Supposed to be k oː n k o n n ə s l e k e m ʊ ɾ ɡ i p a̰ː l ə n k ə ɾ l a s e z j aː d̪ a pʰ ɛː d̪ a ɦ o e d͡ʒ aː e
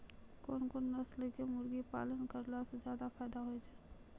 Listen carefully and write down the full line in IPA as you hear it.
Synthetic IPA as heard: k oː n k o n n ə s l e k e m ʊ ɾ ɡ i p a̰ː l ə n k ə ɾ l a s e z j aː d̪ a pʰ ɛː d̪ a ɦ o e d͡ʒ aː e